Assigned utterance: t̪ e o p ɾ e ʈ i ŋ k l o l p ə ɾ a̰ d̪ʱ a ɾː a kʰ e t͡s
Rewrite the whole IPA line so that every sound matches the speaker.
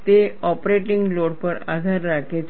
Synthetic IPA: t̪ e ɔ p ɾ e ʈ i ŋ ɡ l o ɽ p ə ɾ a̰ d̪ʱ a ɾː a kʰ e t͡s